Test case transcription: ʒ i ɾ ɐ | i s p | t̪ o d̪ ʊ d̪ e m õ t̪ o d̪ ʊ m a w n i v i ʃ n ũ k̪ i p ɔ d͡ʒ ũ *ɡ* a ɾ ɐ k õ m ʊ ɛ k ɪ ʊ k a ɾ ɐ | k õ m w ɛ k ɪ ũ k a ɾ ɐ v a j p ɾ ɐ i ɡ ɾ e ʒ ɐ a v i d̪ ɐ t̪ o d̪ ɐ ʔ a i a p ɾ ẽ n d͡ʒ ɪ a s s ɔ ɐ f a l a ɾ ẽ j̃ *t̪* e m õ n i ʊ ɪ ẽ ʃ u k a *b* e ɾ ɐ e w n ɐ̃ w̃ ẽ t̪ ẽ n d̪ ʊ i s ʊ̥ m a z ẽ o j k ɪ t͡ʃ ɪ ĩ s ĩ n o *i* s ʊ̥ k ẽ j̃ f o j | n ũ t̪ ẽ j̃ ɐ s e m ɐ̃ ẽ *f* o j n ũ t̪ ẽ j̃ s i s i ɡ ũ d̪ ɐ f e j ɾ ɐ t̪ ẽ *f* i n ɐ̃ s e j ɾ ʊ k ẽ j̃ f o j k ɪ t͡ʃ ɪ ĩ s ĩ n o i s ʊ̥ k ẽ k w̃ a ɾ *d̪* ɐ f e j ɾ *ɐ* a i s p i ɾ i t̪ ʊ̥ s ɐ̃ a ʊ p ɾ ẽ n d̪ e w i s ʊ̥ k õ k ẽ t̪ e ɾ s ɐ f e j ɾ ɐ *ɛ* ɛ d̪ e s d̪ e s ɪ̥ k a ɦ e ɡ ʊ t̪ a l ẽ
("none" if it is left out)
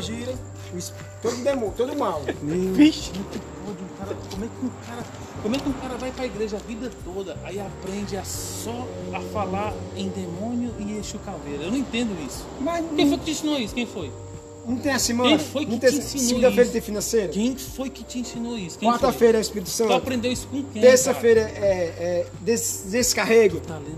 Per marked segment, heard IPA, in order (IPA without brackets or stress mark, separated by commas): k, d̪, v, i, f, f, t̪, ɐ, ɛ